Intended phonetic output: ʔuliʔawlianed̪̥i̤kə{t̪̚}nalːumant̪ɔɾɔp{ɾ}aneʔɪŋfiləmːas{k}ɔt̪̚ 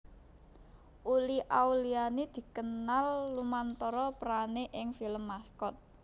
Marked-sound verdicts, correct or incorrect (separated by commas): incorrect, correct, correct